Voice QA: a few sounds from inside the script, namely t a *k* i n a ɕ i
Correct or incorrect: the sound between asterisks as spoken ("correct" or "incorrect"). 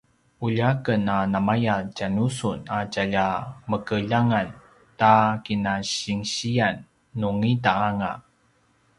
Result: correct